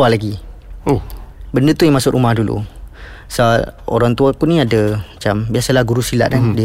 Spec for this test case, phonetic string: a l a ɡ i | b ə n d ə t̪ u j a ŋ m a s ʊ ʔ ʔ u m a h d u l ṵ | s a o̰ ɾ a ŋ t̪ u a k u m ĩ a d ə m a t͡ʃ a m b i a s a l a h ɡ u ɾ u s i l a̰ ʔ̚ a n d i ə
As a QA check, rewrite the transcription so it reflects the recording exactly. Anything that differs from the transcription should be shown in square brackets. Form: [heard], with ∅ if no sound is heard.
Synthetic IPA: a l a ɡ i | b ə n d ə t̪ u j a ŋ m a s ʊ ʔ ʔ u m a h d u l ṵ | s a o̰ ɾ a ŋ t̪ u a k u [n] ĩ a d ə m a t͡ʃ a m b i a s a l a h ɡ u ɾ u s i l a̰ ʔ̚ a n d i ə